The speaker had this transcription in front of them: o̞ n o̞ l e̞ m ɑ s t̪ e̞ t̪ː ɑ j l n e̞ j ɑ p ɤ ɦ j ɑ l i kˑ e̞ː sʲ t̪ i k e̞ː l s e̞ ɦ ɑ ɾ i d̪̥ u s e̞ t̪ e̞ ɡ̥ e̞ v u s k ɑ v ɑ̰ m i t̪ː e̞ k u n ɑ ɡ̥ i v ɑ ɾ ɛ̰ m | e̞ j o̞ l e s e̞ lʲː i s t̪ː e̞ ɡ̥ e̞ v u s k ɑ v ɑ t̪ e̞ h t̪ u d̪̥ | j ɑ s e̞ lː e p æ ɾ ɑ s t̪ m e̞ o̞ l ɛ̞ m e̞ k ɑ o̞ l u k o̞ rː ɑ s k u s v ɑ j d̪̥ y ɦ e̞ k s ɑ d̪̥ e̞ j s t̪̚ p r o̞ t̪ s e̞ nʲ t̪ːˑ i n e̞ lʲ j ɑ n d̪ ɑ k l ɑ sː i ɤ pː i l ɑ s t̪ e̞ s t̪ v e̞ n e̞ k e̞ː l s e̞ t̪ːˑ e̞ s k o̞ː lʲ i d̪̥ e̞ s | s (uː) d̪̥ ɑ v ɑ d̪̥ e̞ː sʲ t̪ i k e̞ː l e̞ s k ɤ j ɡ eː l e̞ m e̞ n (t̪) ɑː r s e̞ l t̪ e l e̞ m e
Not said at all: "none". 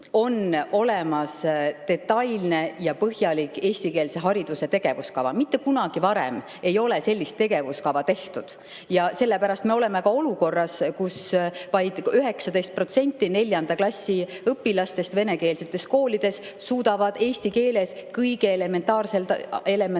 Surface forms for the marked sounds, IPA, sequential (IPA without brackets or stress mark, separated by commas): uː, t̪